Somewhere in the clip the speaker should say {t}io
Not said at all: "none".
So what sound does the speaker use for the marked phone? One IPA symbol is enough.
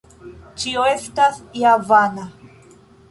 t͡ʃ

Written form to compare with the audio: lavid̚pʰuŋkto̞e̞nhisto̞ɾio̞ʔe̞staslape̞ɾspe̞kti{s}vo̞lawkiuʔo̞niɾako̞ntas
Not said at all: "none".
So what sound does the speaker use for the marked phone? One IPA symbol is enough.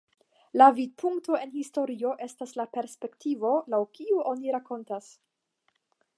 none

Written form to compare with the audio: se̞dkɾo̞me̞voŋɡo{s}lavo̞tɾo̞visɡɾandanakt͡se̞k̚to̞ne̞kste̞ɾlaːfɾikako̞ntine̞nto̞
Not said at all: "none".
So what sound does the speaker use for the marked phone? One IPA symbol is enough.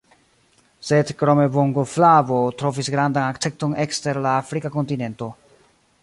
f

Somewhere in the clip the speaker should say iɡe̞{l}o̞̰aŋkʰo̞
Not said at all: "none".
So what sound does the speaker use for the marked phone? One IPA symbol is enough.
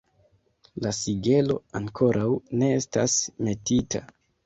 l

